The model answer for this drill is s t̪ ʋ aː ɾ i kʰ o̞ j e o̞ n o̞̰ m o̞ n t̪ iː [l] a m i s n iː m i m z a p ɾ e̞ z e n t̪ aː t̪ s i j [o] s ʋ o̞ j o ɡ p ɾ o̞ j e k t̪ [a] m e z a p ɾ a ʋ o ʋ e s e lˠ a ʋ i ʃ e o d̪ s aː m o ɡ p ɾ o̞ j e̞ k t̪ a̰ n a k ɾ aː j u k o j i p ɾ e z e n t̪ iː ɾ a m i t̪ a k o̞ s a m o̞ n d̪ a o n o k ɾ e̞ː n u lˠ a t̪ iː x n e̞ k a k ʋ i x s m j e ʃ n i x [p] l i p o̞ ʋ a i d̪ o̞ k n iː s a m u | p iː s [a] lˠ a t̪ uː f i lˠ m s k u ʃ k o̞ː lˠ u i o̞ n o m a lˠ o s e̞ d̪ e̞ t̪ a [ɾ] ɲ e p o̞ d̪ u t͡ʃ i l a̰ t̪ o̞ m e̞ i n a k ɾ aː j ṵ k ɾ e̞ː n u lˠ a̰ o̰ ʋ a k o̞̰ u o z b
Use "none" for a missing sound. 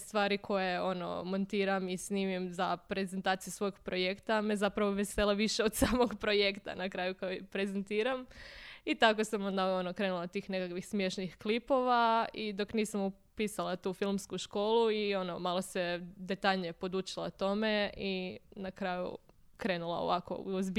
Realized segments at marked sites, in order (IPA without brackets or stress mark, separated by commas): ɾ, u, a, k, a, ʎ